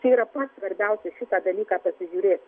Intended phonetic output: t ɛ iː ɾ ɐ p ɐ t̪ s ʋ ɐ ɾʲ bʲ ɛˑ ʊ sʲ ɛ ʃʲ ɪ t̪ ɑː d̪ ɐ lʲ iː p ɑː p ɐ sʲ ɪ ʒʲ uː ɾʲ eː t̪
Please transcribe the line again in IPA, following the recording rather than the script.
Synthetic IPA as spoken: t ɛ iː ɾ ɐ p ɐ t̪ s ʋ ɐ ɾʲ bʲ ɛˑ ʊ sʲ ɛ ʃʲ ɪ t̪ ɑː d̪ ɐ lʲ iː k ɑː p ɐ sʲ ɪ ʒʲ uː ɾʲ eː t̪